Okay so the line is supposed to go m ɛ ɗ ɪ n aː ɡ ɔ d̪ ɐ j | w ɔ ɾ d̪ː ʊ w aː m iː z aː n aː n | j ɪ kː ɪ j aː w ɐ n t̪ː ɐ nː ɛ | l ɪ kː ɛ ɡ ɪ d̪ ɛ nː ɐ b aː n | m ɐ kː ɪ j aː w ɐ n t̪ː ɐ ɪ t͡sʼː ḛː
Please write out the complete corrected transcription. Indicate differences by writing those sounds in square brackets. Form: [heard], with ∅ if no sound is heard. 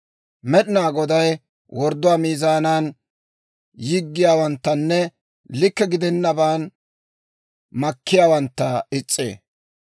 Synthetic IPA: m ɛ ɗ ɪ n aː ɡ ɔ d̪ ɐ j | w ɔ ɾ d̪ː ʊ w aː m iː z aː n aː n | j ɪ [ɡː] ɪ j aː w ɐ n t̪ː ɐ nː ɛ | l ɪ kː ɛ ɡ ɪ d̪ ɛ nː ɐ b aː n | m ɐ kː ɪ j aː w ɐ n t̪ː ɐ ɪ t͡sʼː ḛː